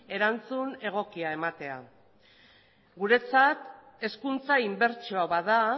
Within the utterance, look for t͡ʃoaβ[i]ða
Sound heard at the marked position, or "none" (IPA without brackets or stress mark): a